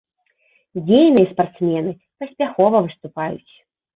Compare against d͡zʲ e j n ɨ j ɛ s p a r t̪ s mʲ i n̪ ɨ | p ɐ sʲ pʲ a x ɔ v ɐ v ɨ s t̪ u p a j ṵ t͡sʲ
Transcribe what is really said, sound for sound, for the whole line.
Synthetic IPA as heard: d͡zʲ e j n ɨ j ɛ s p a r t̪ s mʲ ɛ n̪ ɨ | p ɐ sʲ pʲ a x ɔ v ɐ v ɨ s t̪ u p a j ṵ t͡sʲ